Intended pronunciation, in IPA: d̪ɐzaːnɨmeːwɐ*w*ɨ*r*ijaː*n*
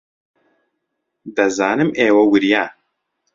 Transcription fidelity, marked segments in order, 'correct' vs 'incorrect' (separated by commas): correct, incorrect, incorrect